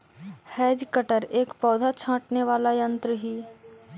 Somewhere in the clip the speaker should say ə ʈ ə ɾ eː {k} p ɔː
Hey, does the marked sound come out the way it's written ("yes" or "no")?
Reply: yes